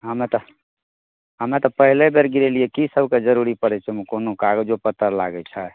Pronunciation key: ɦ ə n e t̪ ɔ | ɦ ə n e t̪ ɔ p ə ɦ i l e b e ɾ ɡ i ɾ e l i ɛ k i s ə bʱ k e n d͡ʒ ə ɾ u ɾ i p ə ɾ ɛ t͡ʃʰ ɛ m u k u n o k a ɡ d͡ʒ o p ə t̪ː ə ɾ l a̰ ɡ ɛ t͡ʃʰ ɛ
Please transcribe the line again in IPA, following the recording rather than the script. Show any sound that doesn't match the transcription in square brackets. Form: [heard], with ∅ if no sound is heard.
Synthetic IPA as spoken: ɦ ə [m] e t̪ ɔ | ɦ ə [m] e t̪ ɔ p ə ɦ i l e b e ɾ ɡ i ɾ e l i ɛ k i s ə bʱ k e [∅] d͡ʒ ə ɾ u ɾ i p ə ɾ ɛ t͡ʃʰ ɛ m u k [o] n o k a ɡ d͡ʒ o p ə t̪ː ə ɾ l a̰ ɡ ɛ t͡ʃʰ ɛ